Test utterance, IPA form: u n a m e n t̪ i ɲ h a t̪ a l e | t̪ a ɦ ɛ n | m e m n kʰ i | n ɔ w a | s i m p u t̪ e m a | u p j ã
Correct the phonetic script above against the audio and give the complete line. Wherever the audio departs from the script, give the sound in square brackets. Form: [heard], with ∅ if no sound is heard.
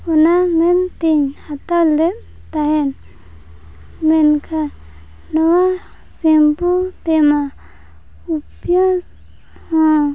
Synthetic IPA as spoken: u n a m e n t̪ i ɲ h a t̪ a l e | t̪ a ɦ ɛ n | m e [∅] n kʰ [a] | n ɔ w a | s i m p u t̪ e m a | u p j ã

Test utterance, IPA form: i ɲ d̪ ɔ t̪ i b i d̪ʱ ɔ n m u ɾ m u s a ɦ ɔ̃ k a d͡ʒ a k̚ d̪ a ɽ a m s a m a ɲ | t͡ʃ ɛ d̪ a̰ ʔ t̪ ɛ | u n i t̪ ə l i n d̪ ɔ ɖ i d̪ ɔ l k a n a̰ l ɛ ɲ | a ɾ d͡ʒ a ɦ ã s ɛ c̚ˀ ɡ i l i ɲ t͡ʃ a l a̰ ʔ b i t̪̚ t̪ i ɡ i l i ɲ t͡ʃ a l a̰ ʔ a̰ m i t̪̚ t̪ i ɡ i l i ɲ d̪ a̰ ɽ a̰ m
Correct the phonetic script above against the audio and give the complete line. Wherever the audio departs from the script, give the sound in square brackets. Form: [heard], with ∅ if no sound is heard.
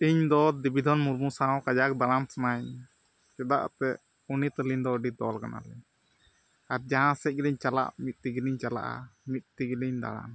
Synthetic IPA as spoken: i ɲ d̪ ɔ [d̪] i b i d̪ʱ ɔ n m u ɾ m u s a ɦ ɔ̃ k a d͡ʒ a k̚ d̪ a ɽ a m s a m a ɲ | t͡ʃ ɛ d̪ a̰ ʔ t̪ ɛ | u n i t̪ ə l i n d̪ ɔ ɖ i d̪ ɔ l k a n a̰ l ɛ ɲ | a ɾ d͡ʒ a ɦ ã s ɛ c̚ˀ ɡ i l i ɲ t͡ʃ a l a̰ ʔ [m] i t̪̚ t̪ i ɡ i l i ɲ t͡ʃ a l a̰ ʔ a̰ m i t̪̚ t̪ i ɡ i l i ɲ d̪ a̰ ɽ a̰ m

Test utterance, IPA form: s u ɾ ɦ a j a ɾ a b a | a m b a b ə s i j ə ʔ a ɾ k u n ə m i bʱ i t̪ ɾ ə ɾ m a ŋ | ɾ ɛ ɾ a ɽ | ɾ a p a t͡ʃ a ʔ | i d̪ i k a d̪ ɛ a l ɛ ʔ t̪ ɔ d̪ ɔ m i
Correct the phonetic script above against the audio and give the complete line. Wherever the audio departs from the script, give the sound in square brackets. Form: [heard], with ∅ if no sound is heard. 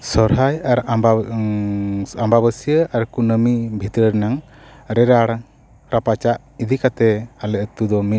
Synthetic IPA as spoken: s [ɔ] ɾ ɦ a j a ɾ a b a | a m b a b ə s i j ə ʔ a ɾ k u n ə m i bʱ i t̪ ɾ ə ɾ [n] a ŋ | ɾ ɛ ɾ a ɽ | ɾ a p a t͡ʃ a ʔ | i d̪ i k a [t̪] ɛ a l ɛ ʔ t̪ [u] d̪ ɔ m i

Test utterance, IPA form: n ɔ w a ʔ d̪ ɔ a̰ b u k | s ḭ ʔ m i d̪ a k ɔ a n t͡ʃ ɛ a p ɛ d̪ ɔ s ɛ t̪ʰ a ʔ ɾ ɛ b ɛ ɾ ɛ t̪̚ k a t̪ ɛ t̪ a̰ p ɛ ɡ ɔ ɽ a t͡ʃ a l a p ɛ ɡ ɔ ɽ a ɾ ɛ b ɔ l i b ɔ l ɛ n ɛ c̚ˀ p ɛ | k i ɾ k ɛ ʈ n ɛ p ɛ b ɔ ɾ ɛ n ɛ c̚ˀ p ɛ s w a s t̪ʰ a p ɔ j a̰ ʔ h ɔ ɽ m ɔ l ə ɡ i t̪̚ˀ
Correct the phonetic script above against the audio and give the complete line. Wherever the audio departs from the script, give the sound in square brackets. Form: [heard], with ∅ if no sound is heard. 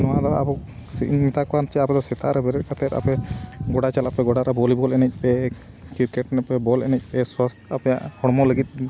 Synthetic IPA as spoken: n ɔ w a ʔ d̪ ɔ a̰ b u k | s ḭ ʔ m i [t̪] a k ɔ a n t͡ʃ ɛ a p ɛ d̪ ɔ s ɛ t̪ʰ a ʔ ɾ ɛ b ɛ ɾ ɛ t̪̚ k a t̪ ɛ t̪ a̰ p ɛ ɡ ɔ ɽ a t͡ʃ a l a p ɛ ɡ ɔ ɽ a ɾ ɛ b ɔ l i b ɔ l ɛ n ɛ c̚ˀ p ɛ | k i ɾ k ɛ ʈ n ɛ p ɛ b ɔ [l] ɛ n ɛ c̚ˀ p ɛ s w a s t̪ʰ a p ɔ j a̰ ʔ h ɔ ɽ m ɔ l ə ɡ i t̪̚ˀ

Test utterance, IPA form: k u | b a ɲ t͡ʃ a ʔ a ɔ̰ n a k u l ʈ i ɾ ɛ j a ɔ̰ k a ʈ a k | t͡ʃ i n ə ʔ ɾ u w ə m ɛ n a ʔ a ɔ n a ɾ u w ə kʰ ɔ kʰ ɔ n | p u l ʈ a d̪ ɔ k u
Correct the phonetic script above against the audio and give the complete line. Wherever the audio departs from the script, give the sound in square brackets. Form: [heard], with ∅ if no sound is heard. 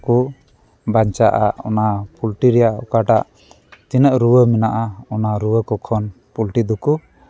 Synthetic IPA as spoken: k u | b a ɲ t͡ʃ a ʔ a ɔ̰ n a [p] u l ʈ i ɾ ɛ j a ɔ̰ k a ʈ a [ʔ] | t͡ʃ i n ə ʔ ɾ u w ə m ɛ n a ʔ a ɔ n a ɾ u w ə [k] ɔ kʰ ɔ n | p u l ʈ [i] d̪ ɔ k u

